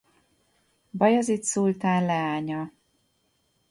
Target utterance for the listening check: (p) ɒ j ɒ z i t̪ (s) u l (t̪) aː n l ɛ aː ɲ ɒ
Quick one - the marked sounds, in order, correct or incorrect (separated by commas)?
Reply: incorrect, correct, correct